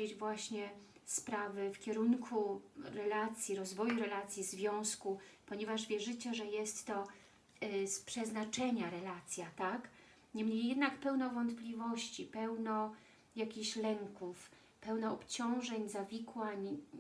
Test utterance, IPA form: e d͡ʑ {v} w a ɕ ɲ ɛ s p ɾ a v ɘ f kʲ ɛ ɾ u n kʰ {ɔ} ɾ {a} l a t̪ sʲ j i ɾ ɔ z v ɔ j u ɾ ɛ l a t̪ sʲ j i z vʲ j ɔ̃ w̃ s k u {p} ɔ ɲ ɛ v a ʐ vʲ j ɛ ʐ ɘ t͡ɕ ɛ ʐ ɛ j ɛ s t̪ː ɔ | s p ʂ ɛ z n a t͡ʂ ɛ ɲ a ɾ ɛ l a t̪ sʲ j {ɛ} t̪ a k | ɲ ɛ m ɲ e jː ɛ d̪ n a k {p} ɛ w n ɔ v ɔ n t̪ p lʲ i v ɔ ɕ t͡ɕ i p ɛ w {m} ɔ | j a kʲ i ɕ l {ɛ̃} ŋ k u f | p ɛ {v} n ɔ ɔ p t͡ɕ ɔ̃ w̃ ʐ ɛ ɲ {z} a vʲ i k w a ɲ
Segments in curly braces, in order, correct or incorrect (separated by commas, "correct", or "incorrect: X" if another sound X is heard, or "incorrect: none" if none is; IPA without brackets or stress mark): correct, incorrect: u, incorrect: ɛ, correct, incorrect: a, correct, incorrect: n, incorrect: ɛ, incorrect: w, correct